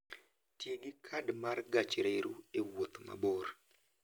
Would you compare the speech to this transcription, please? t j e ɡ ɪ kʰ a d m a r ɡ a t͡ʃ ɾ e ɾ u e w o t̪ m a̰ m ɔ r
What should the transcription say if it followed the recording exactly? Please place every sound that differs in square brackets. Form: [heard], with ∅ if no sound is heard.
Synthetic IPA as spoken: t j e ɡ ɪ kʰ a d m a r ɡ a t͡ʃ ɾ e ɾ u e w o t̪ m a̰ [b] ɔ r